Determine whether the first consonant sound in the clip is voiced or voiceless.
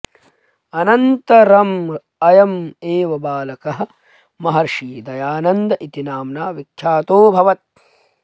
voiced